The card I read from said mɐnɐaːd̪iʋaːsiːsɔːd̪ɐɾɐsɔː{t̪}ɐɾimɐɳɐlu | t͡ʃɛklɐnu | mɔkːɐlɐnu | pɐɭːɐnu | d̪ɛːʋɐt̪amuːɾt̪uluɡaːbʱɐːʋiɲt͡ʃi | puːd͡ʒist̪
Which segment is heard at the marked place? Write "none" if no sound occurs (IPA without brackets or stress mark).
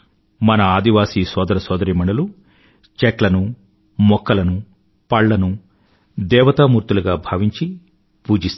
d̪